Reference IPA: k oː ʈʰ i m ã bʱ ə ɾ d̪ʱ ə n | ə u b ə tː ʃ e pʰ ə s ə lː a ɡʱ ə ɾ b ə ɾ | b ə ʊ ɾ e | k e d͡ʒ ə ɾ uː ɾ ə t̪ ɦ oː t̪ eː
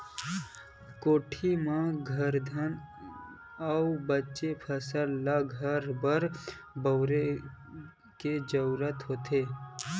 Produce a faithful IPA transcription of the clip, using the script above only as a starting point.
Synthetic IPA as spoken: k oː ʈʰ i m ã ɡʱ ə ɾ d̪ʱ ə n | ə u b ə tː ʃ e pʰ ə s ə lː a ɡʱ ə ɾ b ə ɾ | b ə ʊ ɾ e | k e d͡ʒ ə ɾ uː ɾ ə t̪ ɦ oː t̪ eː